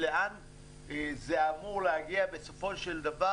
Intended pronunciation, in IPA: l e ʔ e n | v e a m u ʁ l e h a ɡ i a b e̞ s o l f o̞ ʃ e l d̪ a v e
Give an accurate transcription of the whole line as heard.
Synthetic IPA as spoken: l e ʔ a n | z e a m u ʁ l e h a ɡ i a b e̞ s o f o̞ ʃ e l d̪ a v a